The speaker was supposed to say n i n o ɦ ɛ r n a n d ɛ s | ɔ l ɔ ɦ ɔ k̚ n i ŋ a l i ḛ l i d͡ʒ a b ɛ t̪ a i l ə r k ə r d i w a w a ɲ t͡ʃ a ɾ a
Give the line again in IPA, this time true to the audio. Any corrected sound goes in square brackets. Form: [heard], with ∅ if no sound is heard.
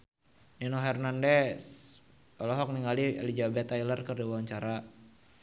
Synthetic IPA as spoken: n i n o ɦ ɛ r n a n d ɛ s | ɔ l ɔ ɦ ɔ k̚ n i ŋ a l i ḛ l i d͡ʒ a b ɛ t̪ a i l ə r k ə r d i w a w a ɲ t͡ʃ a ɾ a

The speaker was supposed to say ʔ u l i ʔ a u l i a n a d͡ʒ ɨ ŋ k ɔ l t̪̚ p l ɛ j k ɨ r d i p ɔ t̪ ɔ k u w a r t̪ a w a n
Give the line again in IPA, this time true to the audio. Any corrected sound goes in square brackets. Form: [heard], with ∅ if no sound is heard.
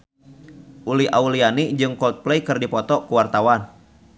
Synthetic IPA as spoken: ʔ u l i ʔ a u l i a n [i] d͡ʒ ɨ ŋ k ɔ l t̪̚ p l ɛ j k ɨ r d i p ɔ t̪ ɔ k u w a r t̪ a w a n

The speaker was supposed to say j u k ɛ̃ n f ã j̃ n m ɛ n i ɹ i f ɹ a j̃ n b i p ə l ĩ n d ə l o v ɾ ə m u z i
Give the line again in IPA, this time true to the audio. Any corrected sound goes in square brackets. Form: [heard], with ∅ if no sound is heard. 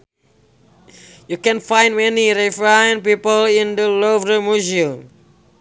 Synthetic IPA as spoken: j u k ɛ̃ n f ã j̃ n m ɛ n i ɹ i f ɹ a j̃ n [p] i p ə l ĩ n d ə l o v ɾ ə m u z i

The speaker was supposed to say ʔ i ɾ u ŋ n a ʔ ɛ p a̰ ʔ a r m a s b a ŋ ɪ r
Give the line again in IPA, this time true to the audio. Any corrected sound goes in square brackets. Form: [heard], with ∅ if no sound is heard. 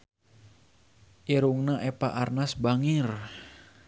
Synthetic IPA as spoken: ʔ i ɾ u ŋ n a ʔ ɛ p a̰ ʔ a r [n] a s b a ŋ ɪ r

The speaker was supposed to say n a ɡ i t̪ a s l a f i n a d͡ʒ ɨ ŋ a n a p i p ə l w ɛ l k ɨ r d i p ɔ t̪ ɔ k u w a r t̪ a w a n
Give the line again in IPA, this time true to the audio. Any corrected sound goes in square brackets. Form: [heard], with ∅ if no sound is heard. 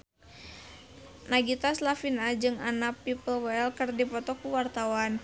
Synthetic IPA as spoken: n a ɡ i t̪ a s l a f i n a d͡ʒ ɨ ŋ a n a p i p ə l w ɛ l k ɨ r d i p ɔ t̪ ɔ k u w a r t̪ a w a n

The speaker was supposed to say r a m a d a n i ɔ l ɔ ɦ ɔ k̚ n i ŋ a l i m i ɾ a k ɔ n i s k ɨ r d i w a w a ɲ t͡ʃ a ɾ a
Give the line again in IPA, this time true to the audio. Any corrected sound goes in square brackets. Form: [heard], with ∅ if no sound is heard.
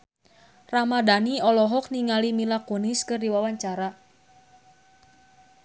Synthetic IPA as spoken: r a m a d a n i ɔ l ɔ ɦ ɔ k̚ n i ŋ a l i m i [l] a k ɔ n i s k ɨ r d i w a w a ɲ t͡ʃ a ɾ a

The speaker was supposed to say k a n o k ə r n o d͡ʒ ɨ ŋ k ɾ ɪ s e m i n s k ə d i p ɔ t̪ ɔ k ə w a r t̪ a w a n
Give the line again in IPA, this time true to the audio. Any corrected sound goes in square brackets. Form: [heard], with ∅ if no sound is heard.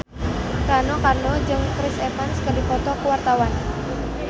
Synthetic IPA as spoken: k a n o k [a] r n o d͡ʒ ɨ ŋ k ɾ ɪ s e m [a] n s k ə d i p ɔ t̪ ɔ k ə w a r t̪ a w a n

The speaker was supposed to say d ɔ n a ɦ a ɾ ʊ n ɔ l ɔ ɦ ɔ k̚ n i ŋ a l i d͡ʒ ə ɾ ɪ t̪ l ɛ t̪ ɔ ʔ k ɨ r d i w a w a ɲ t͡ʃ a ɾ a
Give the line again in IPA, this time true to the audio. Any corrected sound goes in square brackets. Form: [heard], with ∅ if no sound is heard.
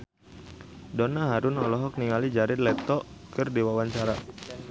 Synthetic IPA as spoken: d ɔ n a ɦ a ɾ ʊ n ɔ l ɔ ɦ ɔ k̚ n i ŋ a l i d͡ʒ [a] ɾ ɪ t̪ l ɛ t̪ ɔ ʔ k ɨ r d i w a w a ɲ t͡ʃ a ɾ a

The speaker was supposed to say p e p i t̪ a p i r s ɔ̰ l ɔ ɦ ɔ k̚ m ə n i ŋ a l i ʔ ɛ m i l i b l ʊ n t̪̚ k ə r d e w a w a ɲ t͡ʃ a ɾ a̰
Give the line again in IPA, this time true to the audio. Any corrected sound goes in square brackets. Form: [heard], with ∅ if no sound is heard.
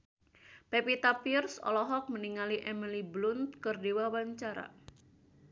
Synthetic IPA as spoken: p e p i t̪ a p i r s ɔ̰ l ɔ ɦ ɔ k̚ m ə n i ŋ a l i ʔ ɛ m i l i b l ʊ n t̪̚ k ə r d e w a w a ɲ t͡ʃ a ɾ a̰

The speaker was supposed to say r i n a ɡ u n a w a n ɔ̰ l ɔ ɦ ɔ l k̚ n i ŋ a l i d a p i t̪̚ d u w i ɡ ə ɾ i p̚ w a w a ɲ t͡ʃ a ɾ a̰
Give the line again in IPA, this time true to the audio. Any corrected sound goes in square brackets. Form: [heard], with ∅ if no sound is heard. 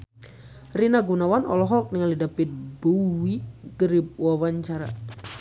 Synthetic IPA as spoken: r i n a ɡ u n a w a n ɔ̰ l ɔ ɦ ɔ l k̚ n i ŋ a l i d a p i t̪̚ [b] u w i ɡ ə ɾ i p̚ w a w a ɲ t͡ʃ a ɾ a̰

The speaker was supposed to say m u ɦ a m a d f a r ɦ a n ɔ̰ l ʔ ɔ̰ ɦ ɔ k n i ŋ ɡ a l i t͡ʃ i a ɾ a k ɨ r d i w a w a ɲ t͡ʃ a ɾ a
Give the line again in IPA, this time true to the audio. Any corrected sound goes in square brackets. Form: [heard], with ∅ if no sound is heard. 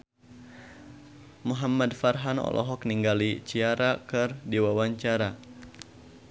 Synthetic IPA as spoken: m u ɦ a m a d f a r ɦ a n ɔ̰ l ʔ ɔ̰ ɦ ɔ k n i ŋ ɡ a l i t͡ʃ i a ɾ a k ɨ r d i w a w a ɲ t͡ʃ a ɾ a

